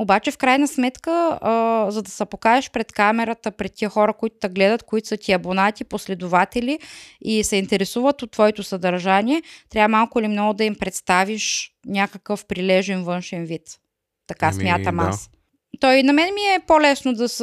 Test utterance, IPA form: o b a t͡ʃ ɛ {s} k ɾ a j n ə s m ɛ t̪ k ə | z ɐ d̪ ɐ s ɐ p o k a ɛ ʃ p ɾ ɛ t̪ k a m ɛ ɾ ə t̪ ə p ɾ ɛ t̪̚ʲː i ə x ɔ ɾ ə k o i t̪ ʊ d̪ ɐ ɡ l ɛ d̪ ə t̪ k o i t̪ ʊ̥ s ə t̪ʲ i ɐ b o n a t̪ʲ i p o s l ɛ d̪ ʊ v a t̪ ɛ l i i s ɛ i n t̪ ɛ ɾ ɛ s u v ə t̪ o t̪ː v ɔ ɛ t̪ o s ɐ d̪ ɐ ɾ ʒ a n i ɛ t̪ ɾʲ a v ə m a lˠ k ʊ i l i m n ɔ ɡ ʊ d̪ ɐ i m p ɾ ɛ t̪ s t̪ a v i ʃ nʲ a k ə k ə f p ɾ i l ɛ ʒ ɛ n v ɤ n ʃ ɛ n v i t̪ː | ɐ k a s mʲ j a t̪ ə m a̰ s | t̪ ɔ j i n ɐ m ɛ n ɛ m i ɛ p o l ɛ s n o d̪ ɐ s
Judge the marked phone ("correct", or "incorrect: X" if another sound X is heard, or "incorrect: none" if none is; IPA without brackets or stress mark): incorrect: f